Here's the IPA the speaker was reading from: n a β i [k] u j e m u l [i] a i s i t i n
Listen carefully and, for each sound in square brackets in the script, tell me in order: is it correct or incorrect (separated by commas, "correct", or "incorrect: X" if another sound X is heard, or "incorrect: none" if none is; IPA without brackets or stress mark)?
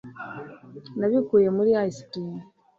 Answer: correct, correct